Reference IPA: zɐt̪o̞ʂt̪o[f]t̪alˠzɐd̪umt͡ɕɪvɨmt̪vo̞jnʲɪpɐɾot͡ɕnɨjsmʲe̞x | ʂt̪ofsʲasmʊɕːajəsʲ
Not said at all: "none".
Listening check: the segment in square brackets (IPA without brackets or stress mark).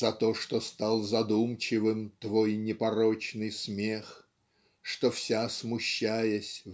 s